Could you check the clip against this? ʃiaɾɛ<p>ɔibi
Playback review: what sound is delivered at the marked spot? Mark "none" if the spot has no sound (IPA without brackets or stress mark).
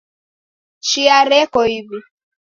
k